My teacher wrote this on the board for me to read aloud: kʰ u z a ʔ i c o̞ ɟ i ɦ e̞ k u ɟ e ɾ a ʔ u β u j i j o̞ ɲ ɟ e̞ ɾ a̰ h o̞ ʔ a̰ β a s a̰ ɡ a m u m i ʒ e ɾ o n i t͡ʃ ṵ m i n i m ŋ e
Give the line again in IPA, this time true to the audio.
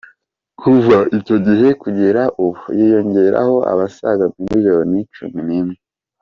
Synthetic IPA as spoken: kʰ u v a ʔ i c o̞ ɟ i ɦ e̞ k u ɟ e ɾ a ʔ u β u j i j o̞ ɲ ɟ e̞ ɾ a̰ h o̞ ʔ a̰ β a s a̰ ɡ a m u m i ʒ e ɾ o n i t͡ʃ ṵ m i n i m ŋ e